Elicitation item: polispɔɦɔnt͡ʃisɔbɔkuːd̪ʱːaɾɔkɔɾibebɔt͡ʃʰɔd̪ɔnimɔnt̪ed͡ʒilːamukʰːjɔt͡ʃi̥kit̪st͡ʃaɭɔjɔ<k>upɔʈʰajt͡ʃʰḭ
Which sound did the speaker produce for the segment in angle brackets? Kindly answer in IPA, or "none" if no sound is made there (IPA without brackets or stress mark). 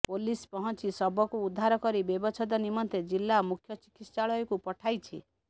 k